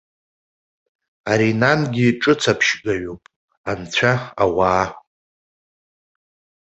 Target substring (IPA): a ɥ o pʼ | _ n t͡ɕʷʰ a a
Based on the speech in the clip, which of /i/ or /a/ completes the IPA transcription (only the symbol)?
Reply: a